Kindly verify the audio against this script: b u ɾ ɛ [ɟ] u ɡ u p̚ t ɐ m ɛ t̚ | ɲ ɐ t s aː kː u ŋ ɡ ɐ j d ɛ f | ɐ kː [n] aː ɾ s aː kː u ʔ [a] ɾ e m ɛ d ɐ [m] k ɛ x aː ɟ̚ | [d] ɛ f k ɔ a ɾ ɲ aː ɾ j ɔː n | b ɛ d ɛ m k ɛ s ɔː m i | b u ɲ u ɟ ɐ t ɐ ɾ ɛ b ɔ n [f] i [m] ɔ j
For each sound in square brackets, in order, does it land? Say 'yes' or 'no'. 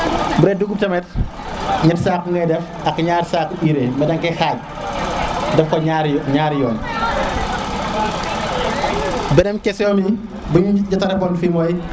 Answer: no, no, no, no, yes, yes, yes

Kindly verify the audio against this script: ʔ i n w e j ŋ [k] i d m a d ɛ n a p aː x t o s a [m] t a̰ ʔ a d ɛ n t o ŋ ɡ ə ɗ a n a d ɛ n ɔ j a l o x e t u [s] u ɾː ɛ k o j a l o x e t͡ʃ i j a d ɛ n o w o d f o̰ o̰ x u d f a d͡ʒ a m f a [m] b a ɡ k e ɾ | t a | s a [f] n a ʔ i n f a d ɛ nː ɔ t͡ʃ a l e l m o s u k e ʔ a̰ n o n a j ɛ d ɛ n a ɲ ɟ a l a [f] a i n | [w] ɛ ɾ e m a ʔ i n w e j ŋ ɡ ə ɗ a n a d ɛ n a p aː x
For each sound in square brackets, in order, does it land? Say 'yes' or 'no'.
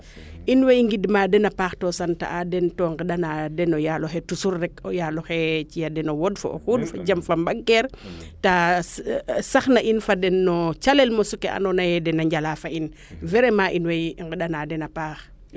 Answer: no, no, yes, yes, no, yes, no

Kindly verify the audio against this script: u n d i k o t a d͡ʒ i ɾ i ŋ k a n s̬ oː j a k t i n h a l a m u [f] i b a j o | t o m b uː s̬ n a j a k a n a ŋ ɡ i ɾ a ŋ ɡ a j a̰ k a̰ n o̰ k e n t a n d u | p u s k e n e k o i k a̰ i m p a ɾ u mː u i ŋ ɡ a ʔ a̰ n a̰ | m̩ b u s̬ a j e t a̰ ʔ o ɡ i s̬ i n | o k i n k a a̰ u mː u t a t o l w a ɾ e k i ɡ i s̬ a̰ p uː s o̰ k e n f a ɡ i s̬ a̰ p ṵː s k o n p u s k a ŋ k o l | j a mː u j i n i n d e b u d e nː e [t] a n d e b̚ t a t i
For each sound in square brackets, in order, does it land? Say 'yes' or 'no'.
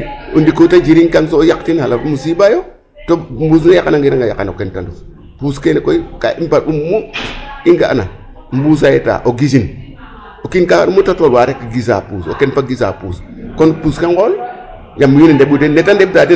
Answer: no, yes

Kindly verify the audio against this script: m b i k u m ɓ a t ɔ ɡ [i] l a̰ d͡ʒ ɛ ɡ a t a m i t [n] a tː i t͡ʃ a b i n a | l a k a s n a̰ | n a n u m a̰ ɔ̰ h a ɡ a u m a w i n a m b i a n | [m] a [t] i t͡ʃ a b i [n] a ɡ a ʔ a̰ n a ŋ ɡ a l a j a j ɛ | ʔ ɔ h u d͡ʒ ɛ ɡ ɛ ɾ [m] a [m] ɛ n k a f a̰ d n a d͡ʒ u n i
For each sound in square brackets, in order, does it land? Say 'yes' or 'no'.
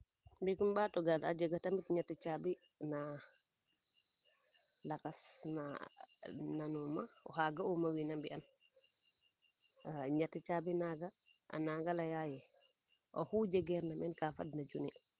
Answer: no, no, no, yes, yes, no, yes

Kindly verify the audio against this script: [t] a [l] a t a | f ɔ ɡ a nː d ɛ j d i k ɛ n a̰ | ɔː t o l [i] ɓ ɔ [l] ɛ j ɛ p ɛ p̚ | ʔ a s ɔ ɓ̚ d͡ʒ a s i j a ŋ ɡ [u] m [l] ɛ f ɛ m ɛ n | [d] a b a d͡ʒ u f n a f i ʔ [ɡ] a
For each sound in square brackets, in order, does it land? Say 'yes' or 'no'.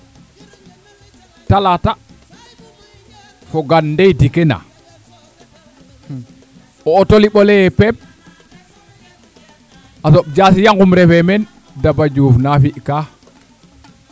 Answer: yes, yes, yes, yes, yes, no, yes, no

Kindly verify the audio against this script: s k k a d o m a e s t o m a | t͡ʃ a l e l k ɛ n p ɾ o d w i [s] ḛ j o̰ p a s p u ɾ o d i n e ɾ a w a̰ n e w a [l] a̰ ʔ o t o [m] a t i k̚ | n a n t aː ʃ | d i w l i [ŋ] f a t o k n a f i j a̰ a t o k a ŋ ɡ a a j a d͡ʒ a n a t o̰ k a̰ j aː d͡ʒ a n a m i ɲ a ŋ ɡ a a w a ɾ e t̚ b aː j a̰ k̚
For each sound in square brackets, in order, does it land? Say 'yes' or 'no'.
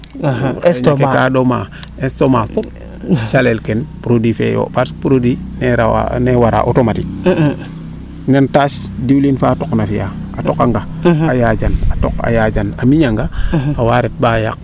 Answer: no, no, yes, no

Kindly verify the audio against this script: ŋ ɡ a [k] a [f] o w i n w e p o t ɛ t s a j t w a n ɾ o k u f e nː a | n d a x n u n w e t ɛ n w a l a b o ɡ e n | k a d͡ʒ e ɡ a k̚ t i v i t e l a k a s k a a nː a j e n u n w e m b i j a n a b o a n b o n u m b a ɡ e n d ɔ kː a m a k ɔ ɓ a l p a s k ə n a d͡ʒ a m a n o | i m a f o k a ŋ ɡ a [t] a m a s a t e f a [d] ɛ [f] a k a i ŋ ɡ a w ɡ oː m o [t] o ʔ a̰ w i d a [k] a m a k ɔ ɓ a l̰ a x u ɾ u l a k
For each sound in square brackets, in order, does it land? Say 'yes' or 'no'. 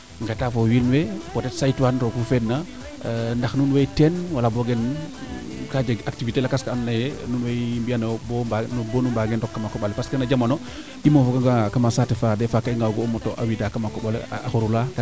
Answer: no, yes, no, yes, yes, yes, yes

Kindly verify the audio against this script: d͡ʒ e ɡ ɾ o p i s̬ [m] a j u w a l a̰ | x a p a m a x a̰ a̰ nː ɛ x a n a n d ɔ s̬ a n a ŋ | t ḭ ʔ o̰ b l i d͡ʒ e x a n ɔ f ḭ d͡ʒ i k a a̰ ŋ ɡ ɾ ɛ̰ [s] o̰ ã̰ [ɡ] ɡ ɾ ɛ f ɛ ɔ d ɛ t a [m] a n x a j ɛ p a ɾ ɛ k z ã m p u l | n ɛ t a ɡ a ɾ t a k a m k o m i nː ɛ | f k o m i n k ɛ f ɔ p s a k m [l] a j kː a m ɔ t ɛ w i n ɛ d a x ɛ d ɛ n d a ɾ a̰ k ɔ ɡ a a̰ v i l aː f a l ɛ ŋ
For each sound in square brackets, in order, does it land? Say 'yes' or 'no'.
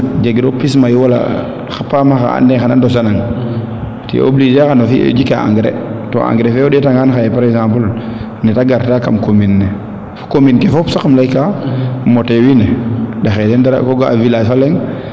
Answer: yes, no, no, no, yes

